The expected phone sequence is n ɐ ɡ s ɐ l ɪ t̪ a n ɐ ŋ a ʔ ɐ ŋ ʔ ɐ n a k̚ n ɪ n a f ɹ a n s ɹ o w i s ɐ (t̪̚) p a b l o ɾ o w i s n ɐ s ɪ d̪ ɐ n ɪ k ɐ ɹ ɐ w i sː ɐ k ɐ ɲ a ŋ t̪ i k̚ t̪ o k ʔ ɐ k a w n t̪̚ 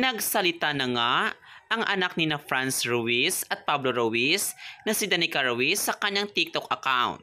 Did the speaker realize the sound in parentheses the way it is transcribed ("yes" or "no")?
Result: yes